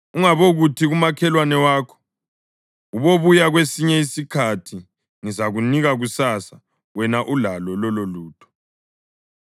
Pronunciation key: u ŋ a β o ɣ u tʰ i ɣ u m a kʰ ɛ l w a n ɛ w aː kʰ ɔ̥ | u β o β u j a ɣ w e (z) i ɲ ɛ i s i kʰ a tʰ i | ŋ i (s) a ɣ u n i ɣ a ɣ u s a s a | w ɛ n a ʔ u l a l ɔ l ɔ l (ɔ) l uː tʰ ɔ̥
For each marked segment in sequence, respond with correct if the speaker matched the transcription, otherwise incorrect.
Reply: incorrect: s, incorrect: z, incorrect: o

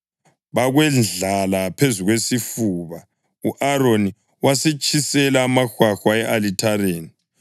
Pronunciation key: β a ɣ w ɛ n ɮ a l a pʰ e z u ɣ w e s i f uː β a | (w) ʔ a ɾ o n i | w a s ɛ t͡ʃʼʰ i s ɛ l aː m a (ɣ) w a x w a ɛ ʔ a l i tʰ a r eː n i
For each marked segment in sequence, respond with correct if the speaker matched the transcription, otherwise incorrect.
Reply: incorrect: u, incorrect: x

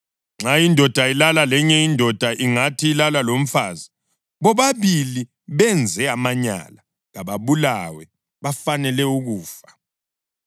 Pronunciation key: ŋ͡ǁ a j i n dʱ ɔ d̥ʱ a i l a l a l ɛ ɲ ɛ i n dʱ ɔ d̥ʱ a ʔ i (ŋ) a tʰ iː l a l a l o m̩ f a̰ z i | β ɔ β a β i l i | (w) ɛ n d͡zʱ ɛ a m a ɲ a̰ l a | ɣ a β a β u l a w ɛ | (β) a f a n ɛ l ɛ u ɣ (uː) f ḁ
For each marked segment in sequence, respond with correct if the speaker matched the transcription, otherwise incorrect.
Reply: correct, incorrect: β, correct, correct

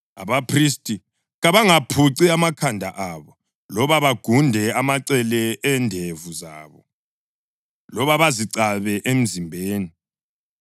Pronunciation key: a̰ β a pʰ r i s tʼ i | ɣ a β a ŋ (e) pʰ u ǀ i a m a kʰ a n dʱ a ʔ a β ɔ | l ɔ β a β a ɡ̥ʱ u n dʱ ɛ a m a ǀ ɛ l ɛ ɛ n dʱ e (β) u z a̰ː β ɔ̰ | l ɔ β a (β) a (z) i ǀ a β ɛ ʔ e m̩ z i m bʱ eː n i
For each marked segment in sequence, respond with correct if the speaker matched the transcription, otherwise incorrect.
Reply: incorrect: a, incorrect: v, correct, correct

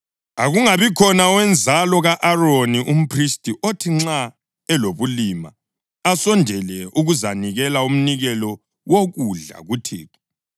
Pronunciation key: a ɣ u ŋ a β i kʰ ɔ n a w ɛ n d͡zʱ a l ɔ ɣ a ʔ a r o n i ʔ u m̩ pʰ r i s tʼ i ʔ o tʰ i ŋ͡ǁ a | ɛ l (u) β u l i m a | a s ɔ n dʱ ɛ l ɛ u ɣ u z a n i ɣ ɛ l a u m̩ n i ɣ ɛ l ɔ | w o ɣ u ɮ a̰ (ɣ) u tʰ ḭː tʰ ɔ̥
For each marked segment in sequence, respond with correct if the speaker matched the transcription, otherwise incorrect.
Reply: incorrect: o, correct

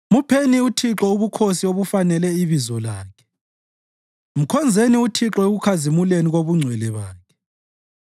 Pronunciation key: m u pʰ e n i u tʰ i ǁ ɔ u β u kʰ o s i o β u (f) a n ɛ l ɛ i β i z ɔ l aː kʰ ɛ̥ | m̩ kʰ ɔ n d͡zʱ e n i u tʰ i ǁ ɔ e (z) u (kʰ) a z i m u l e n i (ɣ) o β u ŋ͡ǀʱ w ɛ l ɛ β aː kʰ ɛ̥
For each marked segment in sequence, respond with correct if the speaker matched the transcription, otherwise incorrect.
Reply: correct, incorrect: ɣ, correct, correct

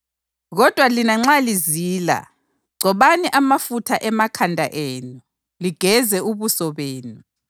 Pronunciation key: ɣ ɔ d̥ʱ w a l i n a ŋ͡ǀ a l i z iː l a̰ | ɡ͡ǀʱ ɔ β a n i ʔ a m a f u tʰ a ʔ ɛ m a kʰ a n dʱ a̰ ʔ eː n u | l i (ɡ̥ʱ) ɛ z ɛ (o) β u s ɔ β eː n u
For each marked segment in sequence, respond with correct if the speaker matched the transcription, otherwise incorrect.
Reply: correct, incorrect: u

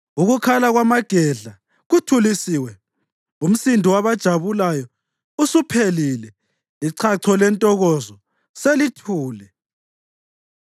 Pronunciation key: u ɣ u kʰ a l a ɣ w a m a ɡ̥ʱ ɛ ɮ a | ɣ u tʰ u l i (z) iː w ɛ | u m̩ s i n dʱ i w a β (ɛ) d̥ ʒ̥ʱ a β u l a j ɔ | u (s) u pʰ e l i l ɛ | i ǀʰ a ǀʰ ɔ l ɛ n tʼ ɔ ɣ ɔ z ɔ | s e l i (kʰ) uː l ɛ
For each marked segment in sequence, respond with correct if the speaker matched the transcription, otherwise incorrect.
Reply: incorrect: s, incorrect: a, correct, incorrect: tʰ

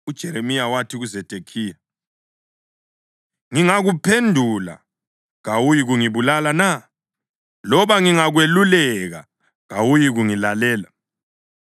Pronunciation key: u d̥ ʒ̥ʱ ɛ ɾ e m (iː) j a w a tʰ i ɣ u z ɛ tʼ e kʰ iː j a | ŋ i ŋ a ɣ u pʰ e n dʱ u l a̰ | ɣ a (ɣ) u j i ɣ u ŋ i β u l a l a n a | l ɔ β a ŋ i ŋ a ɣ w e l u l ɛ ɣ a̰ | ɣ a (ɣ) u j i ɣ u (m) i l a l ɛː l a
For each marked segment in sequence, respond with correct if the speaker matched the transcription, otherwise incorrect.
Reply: incorrect: i, incorrect: w, incorrect: w, incorrect: ŋ

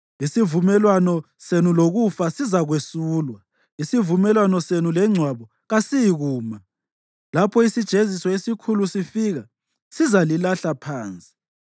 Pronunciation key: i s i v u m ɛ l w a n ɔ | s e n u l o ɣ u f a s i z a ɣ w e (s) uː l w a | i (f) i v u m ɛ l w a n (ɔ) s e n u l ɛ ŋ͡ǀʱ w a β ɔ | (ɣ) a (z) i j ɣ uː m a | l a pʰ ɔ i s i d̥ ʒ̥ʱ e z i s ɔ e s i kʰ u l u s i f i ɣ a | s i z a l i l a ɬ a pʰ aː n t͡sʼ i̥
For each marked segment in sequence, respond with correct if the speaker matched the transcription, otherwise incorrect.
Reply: correct, incorrect: s, correct, correct, incorrect: s

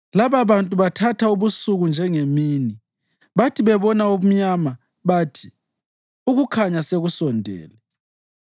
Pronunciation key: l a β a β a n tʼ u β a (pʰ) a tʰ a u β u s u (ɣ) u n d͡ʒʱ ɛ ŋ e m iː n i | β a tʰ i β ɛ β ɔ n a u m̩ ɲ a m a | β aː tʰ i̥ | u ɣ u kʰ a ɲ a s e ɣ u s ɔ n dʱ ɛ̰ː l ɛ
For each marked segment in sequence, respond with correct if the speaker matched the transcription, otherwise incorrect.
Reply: incorrect: tʰ, correct

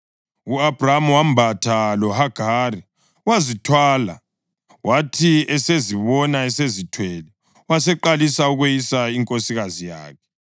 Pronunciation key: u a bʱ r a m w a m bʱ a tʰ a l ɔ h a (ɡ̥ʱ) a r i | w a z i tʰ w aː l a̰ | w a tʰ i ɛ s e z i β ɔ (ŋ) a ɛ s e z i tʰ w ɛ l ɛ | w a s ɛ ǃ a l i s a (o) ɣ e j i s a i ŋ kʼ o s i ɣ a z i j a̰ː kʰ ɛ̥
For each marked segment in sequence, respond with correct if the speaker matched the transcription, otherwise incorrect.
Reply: correct, incorrect: n, incorrect: u

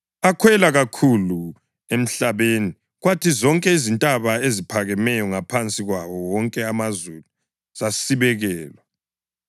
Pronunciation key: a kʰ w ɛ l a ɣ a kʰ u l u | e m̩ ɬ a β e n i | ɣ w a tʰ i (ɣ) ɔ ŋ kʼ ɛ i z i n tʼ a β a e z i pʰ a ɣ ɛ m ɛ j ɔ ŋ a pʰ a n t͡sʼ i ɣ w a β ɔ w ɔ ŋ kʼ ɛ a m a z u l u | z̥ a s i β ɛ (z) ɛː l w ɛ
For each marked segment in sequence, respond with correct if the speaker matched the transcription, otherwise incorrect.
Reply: incorrect: z, incorrect: ɣ

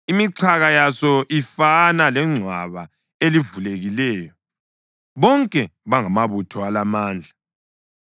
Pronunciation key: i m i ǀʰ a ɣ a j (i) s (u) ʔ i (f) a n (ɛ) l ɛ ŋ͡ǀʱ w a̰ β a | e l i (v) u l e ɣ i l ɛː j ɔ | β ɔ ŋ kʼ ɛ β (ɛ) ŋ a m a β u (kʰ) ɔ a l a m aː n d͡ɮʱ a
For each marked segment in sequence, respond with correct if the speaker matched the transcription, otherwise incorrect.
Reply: incorrect: a, incorrect: ɔ, correct, incorrect: a, correct, incorrect: a, incorrect: tʰ

